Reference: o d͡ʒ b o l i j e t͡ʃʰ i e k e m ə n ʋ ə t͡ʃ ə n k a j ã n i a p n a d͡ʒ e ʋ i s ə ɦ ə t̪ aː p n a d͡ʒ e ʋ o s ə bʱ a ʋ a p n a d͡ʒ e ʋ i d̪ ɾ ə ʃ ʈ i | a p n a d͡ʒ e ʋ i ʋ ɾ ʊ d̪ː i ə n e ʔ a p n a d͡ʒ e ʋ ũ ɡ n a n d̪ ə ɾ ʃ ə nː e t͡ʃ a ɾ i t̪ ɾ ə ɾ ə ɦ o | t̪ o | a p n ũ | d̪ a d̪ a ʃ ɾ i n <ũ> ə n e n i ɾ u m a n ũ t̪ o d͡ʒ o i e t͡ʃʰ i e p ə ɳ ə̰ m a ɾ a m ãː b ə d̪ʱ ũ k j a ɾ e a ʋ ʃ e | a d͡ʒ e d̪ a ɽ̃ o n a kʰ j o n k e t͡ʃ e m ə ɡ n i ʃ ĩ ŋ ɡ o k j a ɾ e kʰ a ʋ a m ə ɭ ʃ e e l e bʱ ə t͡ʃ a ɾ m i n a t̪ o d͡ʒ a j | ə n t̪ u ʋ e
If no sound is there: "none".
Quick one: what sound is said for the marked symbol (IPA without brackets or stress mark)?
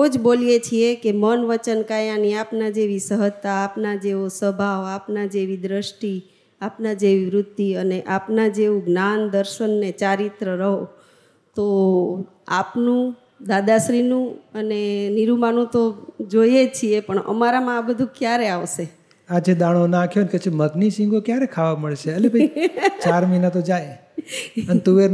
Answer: ũ